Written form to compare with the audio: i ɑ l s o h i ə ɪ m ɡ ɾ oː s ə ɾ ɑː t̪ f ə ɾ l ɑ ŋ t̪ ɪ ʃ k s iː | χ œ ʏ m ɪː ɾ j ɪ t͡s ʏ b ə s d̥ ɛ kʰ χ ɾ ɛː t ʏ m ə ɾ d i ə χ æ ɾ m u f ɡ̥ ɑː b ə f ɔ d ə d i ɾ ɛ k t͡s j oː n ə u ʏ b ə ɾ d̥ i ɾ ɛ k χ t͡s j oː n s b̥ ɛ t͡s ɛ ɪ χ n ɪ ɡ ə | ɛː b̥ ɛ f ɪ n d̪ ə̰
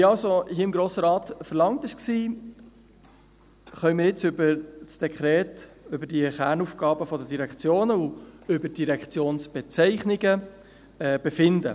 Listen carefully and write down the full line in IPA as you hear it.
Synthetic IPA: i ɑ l s o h i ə ɪ m ɡ ɾ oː s ə ɾ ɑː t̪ f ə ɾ l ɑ ŋ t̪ ɪ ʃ k s iː | χ œ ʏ m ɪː ɾ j ɪ t͡s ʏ b ə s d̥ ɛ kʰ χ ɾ ɛː t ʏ b ə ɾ d i ə χ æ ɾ n u f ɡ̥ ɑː b ə f ɔ d ə d i ɾ ɛ k t͡s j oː n ə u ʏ b ə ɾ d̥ i ɾ ɛ k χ t͡s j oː n s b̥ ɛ t͡s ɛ ɪ χ n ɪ ɡ ə | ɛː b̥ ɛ f ɪ n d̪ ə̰